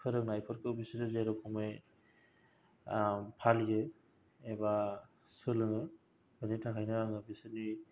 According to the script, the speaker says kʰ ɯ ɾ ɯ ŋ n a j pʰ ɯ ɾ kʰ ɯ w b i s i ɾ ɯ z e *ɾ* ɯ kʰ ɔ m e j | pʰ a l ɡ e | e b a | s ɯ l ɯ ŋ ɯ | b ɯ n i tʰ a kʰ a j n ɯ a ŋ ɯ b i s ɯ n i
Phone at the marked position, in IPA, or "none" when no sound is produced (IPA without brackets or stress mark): ɾ